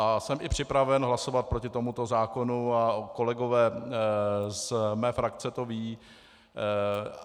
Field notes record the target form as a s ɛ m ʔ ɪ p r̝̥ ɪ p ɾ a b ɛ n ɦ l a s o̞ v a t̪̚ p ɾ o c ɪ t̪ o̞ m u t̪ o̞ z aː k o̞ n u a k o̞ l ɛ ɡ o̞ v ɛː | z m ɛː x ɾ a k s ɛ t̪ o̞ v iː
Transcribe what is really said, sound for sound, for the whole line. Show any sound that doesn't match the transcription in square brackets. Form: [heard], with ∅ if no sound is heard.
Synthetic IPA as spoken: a s ɛ m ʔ ɪ p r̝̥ ɪ p ɾ a [v] ɛ n ɦ l a s o̞ v a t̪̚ p ɾ o c ɪ t̪ o̞ m u t̪ o̞ z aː k o̞ n u a k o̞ l ɛ ɡ o̞ v ɛː | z m ɛː [f] ɾ a k [t͡s] ɛ t̪ o̞ v iː